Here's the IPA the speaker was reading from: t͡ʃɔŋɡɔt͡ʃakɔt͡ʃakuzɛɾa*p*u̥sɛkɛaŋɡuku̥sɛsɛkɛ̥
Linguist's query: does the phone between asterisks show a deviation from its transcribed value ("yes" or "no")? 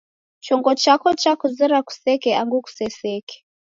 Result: yes